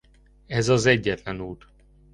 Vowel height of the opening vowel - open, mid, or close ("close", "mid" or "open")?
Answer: mid